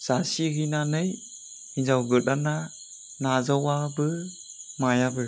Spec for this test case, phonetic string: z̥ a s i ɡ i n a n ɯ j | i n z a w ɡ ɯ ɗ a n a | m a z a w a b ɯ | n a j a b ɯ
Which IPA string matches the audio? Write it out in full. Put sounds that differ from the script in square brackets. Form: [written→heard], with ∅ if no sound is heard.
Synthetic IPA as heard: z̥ a s i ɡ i n a n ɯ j | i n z a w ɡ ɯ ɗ a n a | [m→n] a z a w a b ɯ | [n→m] a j a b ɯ

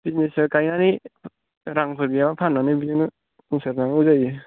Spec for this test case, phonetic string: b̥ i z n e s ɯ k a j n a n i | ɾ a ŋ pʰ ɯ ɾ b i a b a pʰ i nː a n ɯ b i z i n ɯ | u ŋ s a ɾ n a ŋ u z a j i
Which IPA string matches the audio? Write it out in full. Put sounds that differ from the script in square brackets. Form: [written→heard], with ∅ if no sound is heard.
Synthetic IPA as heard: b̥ i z n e s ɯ k a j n a n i | ɾ a ŋ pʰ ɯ ɾ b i a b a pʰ [i→a] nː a n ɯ b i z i n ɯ | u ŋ s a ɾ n a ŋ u z a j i

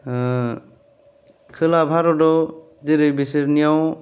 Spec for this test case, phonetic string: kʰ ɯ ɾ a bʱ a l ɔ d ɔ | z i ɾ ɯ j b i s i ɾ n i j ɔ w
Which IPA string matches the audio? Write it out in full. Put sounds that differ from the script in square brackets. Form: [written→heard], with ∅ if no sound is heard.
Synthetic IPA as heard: kʰ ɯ [ɾ→l] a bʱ a [l→ɾ] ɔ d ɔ | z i ɾ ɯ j b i s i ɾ n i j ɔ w

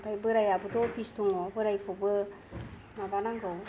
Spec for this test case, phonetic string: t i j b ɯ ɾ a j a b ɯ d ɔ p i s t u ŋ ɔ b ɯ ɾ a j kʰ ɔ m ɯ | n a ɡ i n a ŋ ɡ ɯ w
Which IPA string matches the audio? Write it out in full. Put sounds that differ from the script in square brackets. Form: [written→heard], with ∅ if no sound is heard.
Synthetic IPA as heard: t [i→a] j b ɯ ɾ a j a b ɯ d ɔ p i s t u ŋ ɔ b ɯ ɾ a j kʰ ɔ [m→b] ɯ | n a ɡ [i→a] n a ŋ ɡ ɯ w

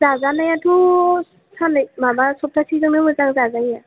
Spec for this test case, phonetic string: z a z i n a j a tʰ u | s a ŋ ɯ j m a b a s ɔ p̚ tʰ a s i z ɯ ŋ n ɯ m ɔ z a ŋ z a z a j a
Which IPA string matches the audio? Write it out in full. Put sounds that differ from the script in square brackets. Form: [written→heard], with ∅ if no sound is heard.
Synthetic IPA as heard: z a z [i→a] n a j a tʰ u | s a [ŋ→n] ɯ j m a b a s ɔ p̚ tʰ a s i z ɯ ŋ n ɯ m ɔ z a ŋ z a z a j a

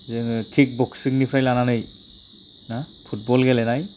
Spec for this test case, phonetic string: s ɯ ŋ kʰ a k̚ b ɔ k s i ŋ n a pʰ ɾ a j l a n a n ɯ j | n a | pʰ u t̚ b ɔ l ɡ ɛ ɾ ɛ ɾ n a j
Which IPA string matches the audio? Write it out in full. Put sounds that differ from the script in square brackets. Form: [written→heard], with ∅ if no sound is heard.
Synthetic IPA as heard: [s→z] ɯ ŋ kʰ [a→i] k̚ b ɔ k s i ŋ n [a→i] pʰ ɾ a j l a n a n ɯ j | n a | pʰ u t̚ b ɔ l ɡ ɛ [ɾ→l] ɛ [ɾ→∅] n a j

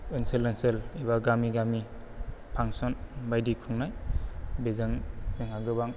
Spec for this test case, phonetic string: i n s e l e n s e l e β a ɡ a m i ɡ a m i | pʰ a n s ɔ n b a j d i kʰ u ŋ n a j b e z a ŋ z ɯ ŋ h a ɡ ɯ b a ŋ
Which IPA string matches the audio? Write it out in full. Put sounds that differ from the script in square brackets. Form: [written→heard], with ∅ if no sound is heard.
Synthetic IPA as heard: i n s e l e n s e l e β a ɡ a m i ɡ a m i | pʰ a [n→ŋ] s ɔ n b a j d i kʰ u ŋ n a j b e z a ŋ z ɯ ŋ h a ɡ ɯ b a ŋ

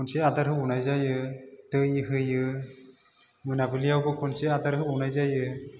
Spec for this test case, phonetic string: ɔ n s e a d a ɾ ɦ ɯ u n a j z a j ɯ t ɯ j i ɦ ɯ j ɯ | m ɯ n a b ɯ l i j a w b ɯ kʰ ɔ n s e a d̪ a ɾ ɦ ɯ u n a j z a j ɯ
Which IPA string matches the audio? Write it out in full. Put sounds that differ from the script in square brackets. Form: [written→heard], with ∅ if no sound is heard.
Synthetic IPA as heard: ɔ n s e a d a ɾ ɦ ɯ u n a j z a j ɯ t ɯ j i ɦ ɯ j ɯ | m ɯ n a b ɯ l i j a w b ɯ kʰ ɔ n s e a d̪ a ɾ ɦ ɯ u n a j z a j ɯ

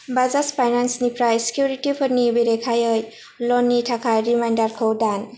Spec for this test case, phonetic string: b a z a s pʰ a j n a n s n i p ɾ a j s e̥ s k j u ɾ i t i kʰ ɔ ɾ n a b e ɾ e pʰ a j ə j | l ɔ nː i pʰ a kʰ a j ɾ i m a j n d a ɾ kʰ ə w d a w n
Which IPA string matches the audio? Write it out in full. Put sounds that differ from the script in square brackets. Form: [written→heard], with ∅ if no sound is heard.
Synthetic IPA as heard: b a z a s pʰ a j n a n s n i p ɾ a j s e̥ [s→∅] k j u ɾ i t i [kʰ→pʰ] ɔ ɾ n [a→i] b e ɾ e [pʰ→kʰ] a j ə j | l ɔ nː i [pʰ→tʰ] a kʰ a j ɾ i m a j n d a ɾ kʰ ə w d a [w→∅] n

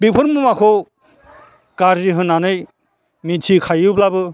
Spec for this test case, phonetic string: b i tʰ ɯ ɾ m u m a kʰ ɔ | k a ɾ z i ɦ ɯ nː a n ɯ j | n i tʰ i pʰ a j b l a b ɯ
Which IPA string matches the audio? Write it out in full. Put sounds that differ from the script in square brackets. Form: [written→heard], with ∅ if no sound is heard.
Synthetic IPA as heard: b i [tʰ→pʰ] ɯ ɾ m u m a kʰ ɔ | k a ɾ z i ɦ ɯ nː a n ɯ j | [n→m] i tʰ i [pʰ→kʰ] a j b l a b ɯ

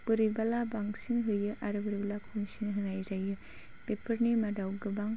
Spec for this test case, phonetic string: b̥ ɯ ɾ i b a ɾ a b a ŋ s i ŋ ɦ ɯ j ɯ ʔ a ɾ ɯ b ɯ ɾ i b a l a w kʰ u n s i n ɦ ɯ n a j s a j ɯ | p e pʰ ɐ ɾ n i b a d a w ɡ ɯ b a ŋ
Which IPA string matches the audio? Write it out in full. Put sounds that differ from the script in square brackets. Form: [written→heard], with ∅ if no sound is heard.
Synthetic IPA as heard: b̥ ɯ ɾ i b a [ɾ→l] a b a ŋ s i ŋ ɦ ɯ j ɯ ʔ a ɾ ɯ b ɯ ɾ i b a l a [w→∅] kʰ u [n→m] s i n ɦ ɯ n a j [s→z] a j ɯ | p e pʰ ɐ ɾ n i [b→m] a d a w ɡ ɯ b a ŋ

